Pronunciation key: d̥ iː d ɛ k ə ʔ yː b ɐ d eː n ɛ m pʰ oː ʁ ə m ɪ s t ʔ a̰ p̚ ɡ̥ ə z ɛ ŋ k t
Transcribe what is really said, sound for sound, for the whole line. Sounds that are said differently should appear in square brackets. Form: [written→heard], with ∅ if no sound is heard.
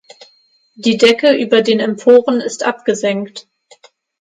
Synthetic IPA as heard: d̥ iː d ɛ k ə ʔ yː b ɐ d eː n ɛ m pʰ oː ʁ ə [m→n] ɪ s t ʔ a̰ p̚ ɡ̥ ə z ɛ ŋ k t